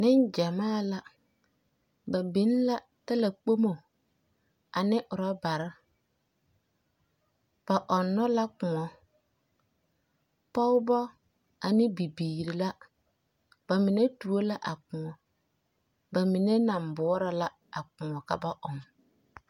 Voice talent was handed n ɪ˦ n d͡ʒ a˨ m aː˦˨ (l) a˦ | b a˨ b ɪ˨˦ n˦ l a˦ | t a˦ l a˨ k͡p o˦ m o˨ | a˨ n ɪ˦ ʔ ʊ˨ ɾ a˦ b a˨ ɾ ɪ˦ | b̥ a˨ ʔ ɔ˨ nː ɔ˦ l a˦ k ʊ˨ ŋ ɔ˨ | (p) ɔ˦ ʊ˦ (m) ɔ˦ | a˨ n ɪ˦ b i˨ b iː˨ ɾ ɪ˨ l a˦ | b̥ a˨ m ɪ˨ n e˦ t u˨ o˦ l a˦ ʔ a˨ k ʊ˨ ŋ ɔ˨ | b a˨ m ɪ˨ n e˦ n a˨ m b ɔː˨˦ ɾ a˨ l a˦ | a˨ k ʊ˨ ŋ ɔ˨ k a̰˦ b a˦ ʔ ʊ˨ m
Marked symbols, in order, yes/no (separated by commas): yes, yes, no